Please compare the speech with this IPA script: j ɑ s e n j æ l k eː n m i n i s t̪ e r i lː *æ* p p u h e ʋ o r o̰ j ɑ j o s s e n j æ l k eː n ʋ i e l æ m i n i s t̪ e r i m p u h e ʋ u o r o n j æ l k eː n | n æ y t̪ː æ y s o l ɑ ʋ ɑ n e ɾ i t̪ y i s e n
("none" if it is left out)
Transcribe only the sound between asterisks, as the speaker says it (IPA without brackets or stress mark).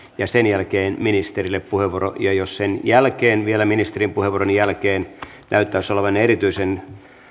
e